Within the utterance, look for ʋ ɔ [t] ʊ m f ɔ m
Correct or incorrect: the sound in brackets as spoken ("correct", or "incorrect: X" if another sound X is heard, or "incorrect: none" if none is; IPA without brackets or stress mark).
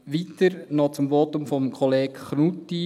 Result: correct